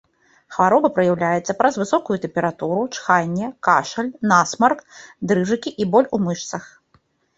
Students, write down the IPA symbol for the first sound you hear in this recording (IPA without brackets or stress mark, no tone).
x